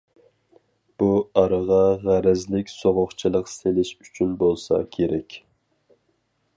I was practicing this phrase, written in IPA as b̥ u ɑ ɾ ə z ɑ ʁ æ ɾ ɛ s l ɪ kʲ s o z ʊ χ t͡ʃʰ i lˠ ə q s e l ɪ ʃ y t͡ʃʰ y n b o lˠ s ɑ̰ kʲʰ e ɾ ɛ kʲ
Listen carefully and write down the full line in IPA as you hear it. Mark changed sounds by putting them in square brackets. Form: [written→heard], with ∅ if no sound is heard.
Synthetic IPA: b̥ u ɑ ɾ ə [z→ʁ] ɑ ʁ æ ɾ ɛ [s→z] l ɪ kʲ s o [z→ʁ] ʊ χ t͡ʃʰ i lˠ ə q s e l ɪ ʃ y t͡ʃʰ y n b o lˠ s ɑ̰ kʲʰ e ɾ ɛ kʲ